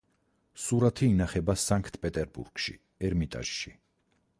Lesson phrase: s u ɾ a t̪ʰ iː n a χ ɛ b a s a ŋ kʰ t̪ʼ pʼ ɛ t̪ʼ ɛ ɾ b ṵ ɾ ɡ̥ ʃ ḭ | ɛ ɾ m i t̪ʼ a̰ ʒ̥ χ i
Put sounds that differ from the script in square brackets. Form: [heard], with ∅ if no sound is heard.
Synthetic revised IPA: s u ɾ a t̪ʰ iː n a χ ɛ b a s a ŋ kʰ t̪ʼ pʼ ɛ t̪ʼ ɛ ɾ b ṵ ɾ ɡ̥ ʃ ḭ | ɛ ɾ m i t̪ʼ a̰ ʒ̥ [ʃ] i